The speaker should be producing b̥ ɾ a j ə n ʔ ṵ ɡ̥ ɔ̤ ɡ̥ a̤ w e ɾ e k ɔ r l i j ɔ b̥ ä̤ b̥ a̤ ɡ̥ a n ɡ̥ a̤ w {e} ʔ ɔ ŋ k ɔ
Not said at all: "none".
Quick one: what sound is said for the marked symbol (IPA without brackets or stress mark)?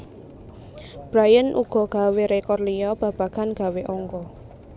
e